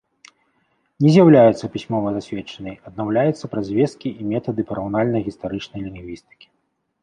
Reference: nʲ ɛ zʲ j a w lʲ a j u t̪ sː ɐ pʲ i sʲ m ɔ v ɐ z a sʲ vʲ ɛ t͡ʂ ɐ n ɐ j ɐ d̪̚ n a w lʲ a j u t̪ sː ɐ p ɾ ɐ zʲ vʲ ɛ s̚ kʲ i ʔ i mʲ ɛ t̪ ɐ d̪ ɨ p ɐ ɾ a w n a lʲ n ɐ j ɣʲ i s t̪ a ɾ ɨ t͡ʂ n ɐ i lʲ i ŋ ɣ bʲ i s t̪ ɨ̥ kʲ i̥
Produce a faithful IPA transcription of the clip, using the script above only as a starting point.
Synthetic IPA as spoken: nʲ ɛ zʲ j a w lʲ a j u t̪ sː ɐ pʲ i sʲ m ɔ v ɐ z a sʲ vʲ ɛ t͡ʂ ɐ n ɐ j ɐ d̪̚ n a w lʲ a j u t̪ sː ɐ p ɾ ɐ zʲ vʲ ɛ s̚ kʲ i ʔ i mʲ ɛ t̪ ɐ d̪ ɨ p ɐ ɾ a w n a lʲ n ɐ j ɣʲ i s t̪ a ɾ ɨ t͡ʂ n ɐ j lʲ i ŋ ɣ vʲ i s t̪ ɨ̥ kʲ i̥